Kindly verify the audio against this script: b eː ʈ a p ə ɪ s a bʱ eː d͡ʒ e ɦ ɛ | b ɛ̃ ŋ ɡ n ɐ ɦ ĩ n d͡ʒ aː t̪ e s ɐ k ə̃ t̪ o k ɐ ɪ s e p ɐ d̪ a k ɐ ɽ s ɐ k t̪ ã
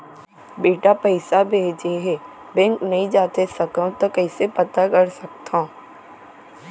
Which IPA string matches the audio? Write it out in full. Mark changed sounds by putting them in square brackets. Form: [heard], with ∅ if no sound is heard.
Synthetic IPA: b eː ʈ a p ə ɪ s a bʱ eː d͡ʒ e ɦ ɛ | b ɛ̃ ŋ [k] n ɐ ɦ ĩ [∅] d͡ʒ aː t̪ e s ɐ k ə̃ t̪ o k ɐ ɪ s e p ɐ [t̪] a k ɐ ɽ s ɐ k t̪ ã